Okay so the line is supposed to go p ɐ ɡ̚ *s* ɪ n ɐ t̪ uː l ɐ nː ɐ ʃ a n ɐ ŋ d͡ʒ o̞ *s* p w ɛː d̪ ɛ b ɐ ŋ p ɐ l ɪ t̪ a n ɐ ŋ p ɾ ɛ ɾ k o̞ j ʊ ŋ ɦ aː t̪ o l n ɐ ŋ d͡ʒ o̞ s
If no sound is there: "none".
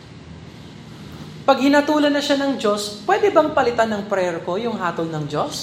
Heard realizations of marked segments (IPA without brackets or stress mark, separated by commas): h, s